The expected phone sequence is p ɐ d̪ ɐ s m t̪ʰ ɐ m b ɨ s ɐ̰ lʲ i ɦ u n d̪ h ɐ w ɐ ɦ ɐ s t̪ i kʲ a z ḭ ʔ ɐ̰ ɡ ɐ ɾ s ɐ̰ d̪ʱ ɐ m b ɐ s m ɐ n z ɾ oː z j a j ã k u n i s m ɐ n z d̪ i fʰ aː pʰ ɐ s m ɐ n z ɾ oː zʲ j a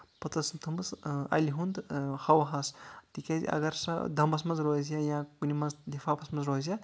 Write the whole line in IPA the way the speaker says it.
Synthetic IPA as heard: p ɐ t̪ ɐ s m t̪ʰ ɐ m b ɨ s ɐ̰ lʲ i ɦ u n d̪ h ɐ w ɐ ɦ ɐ s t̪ i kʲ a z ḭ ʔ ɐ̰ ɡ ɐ ɾ s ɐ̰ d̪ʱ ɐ m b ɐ s m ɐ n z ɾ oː z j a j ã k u n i m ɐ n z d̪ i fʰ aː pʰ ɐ s m ɐ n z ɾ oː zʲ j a